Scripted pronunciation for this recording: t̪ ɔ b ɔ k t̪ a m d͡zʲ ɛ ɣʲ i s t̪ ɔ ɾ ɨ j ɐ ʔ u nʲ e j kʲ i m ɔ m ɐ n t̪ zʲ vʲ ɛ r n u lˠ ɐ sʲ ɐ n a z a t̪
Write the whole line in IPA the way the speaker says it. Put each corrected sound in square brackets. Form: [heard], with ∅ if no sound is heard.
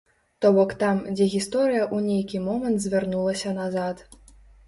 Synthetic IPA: t̪ ɔ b ɔ k t̪ a m d͡zʲ ɛ ɣʲ i s t̪ ɔ ɾ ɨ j ɐ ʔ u nʲ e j kʲ i m ɔ m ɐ n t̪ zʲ vʲ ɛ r n u lˠ ɐ sʲ ɐ n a z a t̪